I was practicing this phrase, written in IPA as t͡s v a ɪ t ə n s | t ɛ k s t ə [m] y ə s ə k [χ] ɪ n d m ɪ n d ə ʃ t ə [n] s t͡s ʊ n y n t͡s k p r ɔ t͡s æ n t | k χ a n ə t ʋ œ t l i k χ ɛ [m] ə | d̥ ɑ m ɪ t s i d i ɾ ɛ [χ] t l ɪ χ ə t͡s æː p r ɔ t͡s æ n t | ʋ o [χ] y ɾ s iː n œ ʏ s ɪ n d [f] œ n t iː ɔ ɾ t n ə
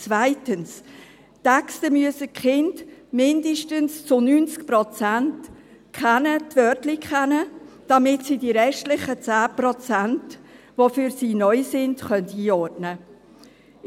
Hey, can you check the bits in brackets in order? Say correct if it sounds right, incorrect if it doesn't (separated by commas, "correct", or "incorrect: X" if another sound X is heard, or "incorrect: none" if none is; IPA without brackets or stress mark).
correct, correct, correct, incorrect: n, incorrect: ʃ, incorrect: f, incorrect: χ